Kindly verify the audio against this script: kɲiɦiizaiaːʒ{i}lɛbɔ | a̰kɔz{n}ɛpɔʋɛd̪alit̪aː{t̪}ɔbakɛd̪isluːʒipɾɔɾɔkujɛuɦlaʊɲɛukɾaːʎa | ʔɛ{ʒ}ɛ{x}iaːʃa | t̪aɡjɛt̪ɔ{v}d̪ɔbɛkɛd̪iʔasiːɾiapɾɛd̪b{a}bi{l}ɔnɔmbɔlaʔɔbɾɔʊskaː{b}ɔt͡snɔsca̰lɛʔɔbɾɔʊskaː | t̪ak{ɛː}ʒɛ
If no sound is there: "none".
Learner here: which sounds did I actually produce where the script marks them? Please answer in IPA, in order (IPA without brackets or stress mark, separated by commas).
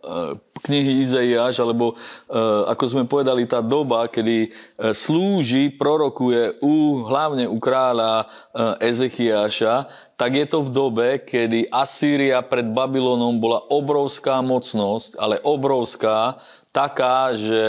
a, m, d̪, z, x, v, a, l, m, aː